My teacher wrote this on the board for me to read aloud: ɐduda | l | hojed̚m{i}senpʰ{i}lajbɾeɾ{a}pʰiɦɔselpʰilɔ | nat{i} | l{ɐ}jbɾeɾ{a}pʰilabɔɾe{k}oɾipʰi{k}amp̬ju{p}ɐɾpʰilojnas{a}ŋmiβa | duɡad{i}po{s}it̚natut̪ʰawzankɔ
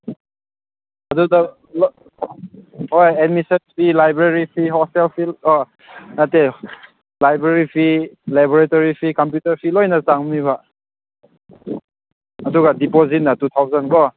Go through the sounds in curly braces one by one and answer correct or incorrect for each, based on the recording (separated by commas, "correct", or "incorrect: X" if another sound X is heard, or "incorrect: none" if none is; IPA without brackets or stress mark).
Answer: correct, correct, incorrect: i, incorrect: e, incorrect: a, incorrect: i, incorrect: t, correct, incorrect: t, correct, correct, incorrect: z